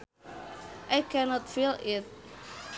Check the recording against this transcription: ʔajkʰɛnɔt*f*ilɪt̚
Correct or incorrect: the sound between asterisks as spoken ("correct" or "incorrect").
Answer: correct